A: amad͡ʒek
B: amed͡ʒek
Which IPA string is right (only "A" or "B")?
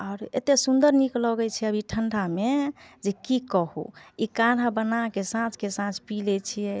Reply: B